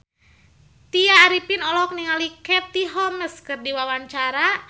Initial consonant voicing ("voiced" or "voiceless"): voiceless